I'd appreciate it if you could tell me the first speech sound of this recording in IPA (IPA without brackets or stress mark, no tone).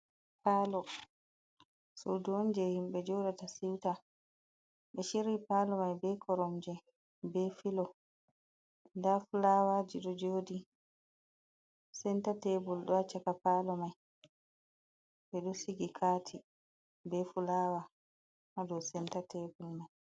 p